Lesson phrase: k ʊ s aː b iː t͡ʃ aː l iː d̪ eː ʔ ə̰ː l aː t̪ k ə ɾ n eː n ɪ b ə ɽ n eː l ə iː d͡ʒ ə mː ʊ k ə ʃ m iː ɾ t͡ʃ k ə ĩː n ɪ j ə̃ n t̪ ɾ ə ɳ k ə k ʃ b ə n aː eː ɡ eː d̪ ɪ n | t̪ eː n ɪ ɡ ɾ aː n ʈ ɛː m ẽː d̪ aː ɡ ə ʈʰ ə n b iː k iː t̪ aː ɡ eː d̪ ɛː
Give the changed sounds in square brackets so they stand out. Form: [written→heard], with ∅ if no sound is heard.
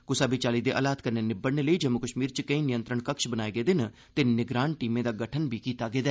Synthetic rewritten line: k ʊ s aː b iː t͡ʃ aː l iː d̪ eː ʔ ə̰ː l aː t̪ k ə ɾ n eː n ɪ b ə ɽ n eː l ə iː d͡ʒ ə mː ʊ k ə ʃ m iː ɾ t͡ʃ k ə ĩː n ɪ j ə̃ n t̪ ɾ ə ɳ k ə k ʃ b ə n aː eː ɡ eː d̪ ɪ n | t̪ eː n ɪ ɡ ɾ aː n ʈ [ɛː→iː] m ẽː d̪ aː ɡ ə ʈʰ ə n b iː k iː t̪ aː ɡ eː d̪ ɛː